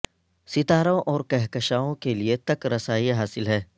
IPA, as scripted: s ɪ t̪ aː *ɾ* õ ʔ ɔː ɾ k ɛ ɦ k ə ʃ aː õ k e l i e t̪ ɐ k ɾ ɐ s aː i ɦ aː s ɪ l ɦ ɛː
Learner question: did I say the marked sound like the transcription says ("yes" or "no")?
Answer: yes